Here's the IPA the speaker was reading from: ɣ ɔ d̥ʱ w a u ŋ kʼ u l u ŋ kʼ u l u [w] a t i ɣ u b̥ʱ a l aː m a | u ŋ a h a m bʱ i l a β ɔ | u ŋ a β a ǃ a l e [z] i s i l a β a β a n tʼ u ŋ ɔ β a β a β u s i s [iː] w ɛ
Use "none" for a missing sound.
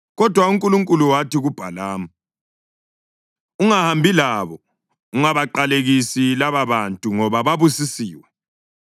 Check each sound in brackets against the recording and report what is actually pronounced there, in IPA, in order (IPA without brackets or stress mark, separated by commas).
w, ɣ, iː